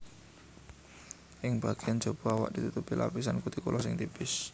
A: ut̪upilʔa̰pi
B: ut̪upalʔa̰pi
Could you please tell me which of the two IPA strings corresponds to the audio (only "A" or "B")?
A